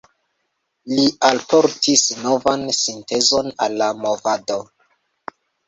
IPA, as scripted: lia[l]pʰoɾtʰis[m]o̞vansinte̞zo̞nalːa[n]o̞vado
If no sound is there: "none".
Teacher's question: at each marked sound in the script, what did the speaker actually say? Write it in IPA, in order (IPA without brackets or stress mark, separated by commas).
l, n, m